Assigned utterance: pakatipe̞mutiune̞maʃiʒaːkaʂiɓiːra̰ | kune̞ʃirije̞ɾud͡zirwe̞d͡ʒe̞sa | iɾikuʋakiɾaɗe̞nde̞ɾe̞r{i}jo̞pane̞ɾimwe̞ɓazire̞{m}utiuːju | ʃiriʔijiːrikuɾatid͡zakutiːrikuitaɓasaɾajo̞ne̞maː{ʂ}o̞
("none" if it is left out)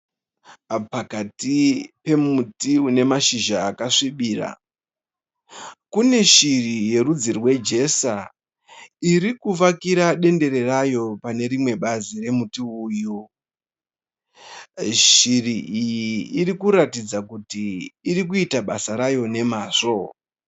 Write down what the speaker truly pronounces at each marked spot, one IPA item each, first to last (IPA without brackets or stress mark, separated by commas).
a, m, ʂ